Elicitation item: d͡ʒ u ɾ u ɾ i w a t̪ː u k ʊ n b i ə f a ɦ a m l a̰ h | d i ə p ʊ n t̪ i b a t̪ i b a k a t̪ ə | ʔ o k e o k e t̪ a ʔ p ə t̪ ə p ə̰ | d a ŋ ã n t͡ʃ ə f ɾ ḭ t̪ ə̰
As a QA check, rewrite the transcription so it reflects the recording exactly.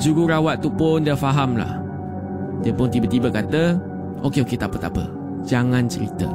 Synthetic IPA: d͡ʒ u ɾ u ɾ a w a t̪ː u p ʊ n d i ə f a ɦ a m l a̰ h | d i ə p ʊ n t̪ i b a t̪ i b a k a t̪ ə | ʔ o k e o k e t̪ a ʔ p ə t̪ a p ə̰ | d͡ʒ a ŋ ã n t͡ʃ ə ɾ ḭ t̪ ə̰